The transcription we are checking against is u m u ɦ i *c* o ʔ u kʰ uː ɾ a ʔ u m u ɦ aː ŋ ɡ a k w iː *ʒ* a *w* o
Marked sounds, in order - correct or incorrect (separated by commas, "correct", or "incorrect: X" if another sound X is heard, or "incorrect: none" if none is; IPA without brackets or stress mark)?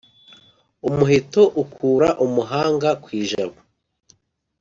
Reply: incorrect: t, correct, incorrect: β